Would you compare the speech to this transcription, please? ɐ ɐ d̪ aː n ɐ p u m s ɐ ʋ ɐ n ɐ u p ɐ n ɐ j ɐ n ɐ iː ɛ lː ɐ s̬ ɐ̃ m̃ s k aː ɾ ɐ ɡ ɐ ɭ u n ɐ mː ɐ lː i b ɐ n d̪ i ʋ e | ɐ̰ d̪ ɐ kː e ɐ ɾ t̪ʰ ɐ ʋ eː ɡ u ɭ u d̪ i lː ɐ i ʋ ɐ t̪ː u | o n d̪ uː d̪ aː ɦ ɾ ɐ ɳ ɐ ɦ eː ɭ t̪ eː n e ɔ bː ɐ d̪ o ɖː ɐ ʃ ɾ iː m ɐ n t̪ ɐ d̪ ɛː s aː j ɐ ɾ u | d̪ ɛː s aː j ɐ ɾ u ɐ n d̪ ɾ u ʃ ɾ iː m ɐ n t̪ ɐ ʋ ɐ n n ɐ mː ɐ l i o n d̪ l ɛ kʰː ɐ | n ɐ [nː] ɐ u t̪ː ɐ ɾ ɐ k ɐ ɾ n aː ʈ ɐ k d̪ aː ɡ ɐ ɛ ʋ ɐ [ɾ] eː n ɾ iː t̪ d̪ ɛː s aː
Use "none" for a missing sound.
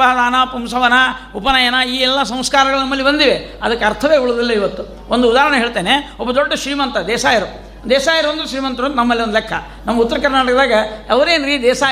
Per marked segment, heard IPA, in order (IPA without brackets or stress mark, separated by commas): mː, ɾ